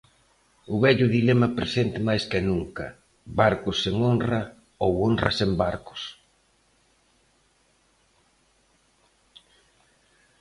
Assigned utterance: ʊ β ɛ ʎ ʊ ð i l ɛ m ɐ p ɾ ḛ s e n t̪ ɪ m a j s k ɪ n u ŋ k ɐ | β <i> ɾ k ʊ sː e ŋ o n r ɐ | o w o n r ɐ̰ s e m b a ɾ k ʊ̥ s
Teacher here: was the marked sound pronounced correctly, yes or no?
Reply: no